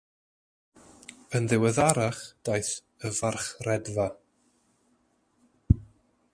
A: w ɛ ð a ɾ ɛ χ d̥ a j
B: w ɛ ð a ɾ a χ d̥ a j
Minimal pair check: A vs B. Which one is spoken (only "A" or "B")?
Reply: B